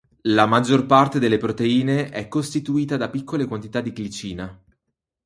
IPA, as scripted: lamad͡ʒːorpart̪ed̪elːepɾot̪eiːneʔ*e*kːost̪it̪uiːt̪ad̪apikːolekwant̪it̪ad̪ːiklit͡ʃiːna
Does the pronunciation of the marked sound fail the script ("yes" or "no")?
yes